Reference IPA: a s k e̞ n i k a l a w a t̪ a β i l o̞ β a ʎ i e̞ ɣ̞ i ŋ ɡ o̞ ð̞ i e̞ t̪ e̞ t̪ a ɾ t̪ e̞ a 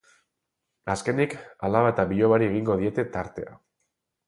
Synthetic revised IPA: a s k e̞ n i k a l a β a t̪ a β i ʎ o̞ β a ɾ i e̞ ɣ̞ i ŋ ɡ o̞ ð̞ i e̞ t̪ e̞ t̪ a ɾ t̪ e̞ a

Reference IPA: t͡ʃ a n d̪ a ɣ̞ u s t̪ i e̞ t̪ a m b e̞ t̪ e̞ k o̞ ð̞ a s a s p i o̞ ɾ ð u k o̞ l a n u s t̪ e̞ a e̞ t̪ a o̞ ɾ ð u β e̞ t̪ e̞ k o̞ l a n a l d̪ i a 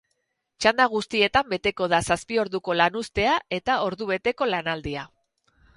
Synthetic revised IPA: t͡ʃ a n d̪ a ɣ̞ u s t̪ i e̞ t̪ a m b e̞ t̪ e̞ k o̞ ð̞ a s a s p i o̞ ɾ ð u k o̞ l a n u s t̪ e̞ a e̞ t̪ a o̞ ɾ ð u β e̞ t̪ e̞ k o̞ l a n a l d̪ i a

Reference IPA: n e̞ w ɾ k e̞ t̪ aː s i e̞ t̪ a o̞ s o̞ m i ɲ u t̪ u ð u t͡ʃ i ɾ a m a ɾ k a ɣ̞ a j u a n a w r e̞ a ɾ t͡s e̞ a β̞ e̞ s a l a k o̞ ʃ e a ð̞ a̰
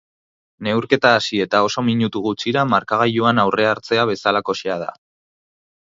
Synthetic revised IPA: n e̞ w ɾ k e̞ t̪ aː s i e̞ t̪ a o̞ s o̞ m i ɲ u t̪ u ɣ u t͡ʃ i ɾ a m a ɾ k a ɣ̞ a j u a n a w r e̞ a ɾ t͡s e̞ a β̞ e̞ s a l a k o̞ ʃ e a ð̞ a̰

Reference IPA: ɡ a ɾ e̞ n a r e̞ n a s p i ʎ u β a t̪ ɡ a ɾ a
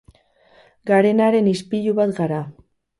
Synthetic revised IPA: ɡ a ɾ e̞ n a ɾ e̞ n i s p i ʎ u β a t̪ ɡ a ɾ a

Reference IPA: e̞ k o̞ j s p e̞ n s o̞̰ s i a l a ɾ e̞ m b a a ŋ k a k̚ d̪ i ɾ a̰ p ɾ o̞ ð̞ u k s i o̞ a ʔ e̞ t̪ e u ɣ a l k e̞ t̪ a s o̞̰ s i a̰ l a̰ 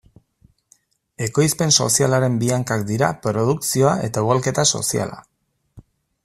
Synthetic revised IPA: e̞ k o̞ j s p e̞ n s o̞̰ s i a l a ɾ e̞ m b i a ŋ k a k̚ d̪ i ɾ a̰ p ɾ o̞ ð̞ u k s i o̞ a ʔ e̞ t̪ a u ɣ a l k e̞ t̪ a s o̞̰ s i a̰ l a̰

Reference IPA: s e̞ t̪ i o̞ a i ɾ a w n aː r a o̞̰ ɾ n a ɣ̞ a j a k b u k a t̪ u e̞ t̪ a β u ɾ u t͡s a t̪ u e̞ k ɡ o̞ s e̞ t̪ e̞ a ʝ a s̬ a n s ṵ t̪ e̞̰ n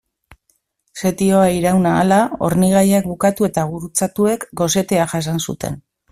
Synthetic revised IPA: s e̞ t̪ i o̞ a i ɾ a w n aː l a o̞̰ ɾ n i ɣ̞ a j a k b u k a t̪ u e̞ t̪ a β u ɾ u t͡s a t̪ u e̞ k ɡ o̞ s e̞ t̪ e̞ a ʝ a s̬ a n s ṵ t̪ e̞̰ n

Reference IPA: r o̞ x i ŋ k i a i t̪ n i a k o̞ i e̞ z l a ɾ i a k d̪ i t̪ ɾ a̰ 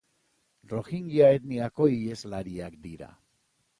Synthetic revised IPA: r o̞ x i ŋ ɡ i a e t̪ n i a k o̞ i e̞ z l a ɾ i a k d̪ i ɾ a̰

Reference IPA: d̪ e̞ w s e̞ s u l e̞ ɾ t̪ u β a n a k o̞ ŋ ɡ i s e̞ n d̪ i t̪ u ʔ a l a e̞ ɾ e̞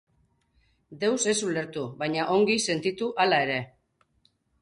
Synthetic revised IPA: d̪ e̞ w s e̞ s u l e̞ ɾ t̪ u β a ɲ a ʔ o̞ ŋ ɡ i s e̞ n t̪ i t̪ u ʔ a l a e̞ ɾ e̞

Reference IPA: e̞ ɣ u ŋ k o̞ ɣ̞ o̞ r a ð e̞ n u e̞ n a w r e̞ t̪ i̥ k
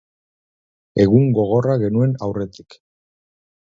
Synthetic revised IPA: e̞ ɣ u ŋ ɡ o̞ ɣ̞ o̞ r a ɣ e̞ n u e̞ n a w r e̞ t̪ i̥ k

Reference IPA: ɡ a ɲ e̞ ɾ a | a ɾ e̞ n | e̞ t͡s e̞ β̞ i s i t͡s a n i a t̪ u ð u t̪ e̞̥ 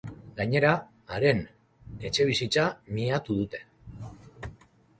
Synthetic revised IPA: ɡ a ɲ e̞ ɾ a | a ɾ e̞ n | e̞ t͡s e̞ β̞ i s i t͡s a m i a t̪ u ð u t̪ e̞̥

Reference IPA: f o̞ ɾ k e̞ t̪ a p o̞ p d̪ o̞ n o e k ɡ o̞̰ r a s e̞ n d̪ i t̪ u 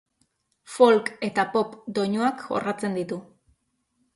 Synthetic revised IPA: f o̞ l k e̞ t̪ a p o̞ p d̪ o̞ ɲ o a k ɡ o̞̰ r a t͡s e̞ n d̪ i t̪ u

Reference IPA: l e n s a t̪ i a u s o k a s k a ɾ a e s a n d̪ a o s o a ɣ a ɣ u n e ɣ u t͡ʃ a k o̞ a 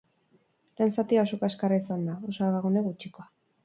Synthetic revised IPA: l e n s a t̪ i a o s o k a s k a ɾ a i s a n d̪ a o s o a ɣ a ɣ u n e ɣ u t͡ʃ i k o̞ a

